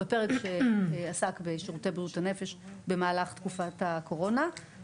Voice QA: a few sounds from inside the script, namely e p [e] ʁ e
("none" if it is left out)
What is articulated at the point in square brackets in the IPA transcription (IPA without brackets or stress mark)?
e